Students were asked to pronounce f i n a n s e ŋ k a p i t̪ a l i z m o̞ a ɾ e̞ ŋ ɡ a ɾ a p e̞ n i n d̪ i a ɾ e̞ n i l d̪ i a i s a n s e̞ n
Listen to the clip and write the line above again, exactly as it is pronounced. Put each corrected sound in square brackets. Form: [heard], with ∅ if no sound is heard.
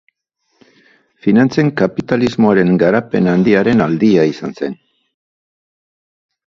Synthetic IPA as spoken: f i n a n [t͡s] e ŋ k a p i t̪ a l i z m o̞ a ɾ e̞ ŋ ɡ a ɾ a p e̞ n [a] n d̪ i a ɾ e̞ n [a] l d̪ i a i s a n s e̞ n